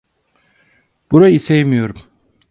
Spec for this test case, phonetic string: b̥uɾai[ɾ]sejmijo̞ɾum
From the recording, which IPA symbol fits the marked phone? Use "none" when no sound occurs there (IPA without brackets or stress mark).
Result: none